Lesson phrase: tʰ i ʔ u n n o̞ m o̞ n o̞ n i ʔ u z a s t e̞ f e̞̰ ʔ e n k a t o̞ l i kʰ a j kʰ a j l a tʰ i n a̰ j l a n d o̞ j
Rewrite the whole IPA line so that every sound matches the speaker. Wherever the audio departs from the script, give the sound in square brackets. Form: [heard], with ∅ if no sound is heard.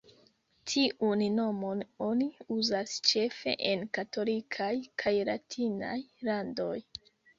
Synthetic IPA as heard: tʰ i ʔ u n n o̞ m o̞ n o̞ n i [∅] u z a s [t͡ʃ] e̞ f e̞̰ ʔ e n k a t o̞ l i kʰ a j kʰ a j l a tʰ i n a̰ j l a n d o̞ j